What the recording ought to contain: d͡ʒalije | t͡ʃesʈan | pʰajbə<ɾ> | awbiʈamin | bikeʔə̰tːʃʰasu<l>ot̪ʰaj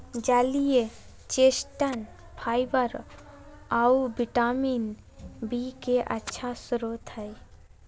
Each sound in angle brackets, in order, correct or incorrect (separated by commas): correct, incorrect